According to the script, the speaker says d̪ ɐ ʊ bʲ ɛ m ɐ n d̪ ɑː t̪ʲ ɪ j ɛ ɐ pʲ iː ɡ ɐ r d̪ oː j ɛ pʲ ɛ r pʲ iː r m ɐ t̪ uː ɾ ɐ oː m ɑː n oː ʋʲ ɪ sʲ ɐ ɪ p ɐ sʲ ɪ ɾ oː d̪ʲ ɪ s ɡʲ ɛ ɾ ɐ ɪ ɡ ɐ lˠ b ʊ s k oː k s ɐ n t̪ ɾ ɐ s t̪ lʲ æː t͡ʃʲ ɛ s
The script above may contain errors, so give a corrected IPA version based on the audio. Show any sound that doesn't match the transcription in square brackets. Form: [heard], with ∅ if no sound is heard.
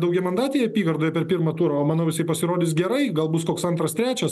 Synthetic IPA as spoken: d̪ ɐ ʊ [ɡʲ] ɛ m ɐ n d̪ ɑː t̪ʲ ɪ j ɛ ɐ pʲ iː ɡ ɐ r d̪ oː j ɛ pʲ ɛ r pʲ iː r m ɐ t̪ uː ɾ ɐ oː m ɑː n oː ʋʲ ɪ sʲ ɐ ɪ p ɐ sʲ ɪ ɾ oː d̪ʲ ɪ s ɡʲ ɛ ɾ ɐ ɪ ɡ ɐ lˠ b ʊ s k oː k s ɐ n t̪ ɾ ɐ s t̪ [ɾʲ] æː t͡ʃʲ ɛ s